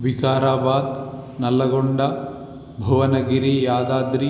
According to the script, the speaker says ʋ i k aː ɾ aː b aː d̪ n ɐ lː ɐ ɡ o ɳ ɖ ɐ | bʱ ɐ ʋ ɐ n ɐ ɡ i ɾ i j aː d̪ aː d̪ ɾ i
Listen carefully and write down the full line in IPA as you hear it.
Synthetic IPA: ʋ i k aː ɾ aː b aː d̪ n ɐ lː ɐ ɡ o ɳ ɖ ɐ | bʱ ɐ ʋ ɐ n ɐ ɡ i ɾ i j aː d̪ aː d̪ ɾ i